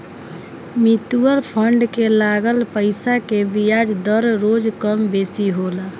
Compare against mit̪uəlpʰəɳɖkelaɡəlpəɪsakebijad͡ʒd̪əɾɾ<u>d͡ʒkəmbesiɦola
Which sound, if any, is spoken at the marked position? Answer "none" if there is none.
o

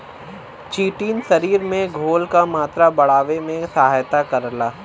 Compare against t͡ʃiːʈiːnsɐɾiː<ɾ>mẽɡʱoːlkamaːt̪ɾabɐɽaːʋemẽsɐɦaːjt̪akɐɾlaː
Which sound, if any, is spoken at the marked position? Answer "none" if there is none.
ɾ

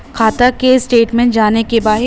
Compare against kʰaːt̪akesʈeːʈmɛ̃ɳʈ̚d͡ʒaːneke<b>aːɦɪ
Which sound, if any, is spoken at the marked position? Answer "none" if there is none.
b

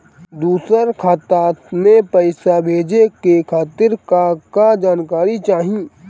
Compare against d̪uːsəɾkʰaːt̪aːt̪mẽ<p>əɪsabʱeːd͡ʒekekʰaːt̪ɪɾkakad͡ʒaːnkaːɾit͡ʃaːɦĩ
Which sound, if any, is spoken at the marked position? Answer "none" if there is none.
p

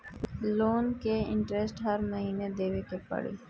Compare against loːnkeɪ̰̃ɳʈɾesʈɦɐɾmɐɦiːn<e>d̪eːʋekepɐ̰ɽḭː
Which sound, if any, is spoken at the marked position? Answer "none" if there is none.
e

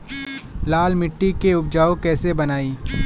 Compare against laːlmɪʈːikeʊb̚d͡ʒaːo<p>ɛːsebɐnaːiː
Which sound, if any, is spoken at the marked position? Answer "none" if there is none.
k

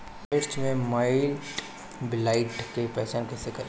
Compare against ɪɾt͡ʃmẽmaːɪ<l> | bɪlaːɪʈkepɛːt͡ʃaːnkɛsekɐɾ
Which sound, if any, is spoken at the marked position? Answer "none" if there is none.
l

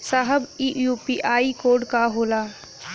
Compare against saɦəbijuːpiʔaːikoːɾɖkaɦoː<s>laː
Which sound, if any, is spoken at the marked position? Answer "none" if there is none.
none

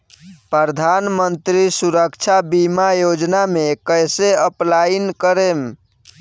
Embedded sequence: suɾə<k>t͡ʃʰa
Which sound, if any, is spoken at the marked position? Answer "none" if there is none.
k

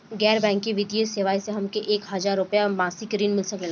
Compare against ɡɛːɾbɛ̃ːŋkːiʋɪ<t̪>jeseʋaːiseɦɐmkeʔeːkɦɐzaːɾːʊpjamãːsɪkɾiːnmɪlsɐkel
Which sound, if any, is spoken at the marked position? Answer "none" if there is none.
d̪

